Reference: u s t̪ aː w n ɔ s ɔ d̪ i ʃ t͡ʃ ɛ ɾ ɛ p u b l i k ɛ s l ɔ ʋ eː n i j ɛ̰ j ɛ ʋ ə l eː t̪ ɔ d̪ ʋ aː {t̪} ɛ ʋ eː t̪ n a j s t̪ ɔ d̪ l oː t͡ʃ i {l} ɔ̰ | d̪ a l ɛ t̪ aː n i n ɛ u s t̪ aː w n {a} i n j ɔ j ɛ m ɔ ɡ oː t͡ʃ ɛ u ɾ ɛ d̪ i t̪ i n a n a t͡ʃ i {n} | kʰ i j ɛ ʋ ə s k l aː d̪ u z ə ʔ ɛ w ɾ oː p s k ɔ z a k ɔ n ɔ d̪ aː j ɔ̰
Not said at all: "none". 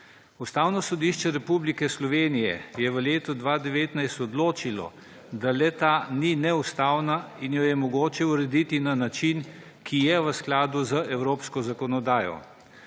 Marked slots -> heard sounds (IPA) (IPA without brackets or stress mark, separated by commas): d̪, l, a, n